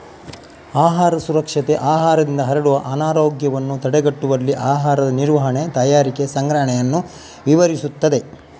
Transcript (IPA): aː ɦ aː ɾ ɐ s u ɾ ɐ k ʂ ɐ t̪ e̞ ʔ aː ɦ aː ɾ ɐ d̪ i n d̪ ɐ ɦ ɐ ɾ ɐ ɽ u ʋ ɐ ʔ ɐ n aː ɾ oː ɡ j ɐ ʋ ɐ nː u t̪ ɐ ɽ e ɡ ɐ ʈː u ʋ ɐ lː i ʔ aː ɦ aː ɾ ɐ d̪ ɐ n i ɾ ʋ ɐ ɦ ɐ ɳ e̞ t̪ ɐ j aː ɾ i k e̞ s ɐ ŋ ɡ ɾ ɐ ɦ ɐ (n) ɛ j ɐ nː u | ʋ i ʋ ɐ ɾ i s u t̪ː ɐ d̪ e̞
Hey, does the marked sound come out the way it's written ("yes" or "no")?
no